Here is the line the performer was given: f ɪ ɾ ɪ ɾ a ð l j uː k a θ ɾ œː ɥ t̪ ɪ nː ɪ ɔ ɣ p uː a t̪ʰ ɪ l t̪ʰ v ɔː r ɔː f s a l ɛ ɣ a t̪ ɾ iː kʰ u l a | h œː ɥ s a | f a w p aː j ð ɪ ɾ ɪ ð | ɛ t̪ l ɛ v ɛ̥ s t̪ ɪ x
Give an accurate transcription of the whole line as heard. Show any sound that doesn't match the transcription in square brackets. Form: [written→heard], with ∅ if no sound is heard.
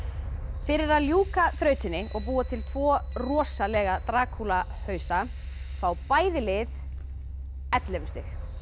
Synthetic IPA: f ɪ ɾ ɪ ɾ a ð l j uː k a θ ɾ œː ɥ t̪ ɪ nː ɪ ɔ ɣ p uː a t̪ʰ ɪ l t̪ʰ v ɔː r ɔː [f→∅] s a l ɛ ɣ a t̪ ɾ [iː→aː] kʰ u l a | h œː ɥ s a | f a w p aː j ð ɪ [ɾ→l] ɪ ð | ɛ t̪ l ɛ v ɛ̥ s t̪ ɪ x

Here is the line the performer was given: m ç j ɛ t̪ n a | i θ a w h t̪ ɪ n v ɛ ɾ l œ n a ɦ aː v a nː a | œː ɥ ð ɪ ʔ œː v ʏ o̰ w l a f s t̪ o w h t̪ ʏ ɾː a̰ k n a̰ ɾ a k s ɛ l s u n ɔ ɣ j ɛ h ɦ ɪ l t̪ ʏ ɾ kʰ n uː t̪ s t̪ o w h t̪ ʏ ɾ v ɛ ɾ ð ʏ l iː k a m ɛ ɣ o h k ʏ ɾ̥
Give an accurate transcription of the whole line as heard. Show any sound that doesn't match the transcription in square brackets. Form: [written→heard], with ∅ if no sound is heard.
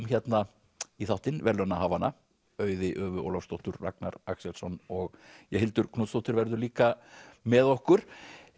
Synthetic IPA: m ç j ɛ t̪ n a | i θ a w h t̪ ɪ n v ɛ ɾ l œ n a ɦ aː v a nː a | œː ɥ ð ɪ ʔ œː v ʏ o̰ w l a f s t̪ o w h t̪ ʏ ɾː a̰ k n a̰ ɾ a k s ɛ l s [u→ɔ] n ɔ ɣ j ɛ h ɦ ɪ l t̪ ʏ ɾ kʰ n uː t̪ s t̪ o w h t̪ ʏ ɾ v ɛ ɾ ð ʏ l iː k a m ɛ [ɣ→ð] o h k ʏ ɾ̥

